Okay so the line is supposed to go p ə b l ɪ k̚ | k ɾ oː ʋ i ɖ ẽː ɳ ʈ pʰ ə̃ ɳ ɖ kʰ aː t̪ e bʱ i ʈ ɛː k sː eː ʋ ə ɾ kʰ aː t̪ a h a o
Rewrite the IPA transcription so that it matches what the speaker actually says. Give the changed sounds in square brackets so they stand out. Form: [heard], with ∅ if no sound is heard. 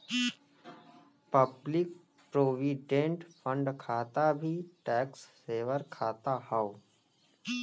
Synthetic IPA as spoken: p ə b l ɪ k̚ | [p] ɾ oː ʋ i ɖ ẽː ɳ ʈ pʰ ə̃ ɳ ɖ kʰ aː t̪ [a] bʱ i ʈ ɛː k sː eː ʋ ə ɾ kʰ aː t̪ a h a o